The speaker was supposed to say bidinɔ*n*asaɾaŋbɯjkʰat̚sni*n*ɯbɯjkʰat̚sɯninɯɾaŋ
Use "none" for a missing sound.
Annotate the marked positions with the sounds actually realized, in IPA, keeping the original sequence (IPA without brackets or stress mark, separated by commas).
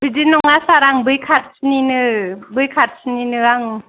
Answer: ŋ, n